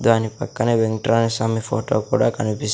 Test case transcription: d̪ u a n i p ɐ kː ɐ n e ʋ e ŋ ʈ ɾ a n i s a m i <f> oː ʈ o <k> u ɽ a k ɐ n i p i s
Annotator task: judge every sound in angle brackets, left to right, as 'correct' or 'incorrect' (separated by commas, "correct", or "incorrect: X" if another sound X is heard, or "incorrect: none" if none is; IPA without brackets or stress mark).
correct, correct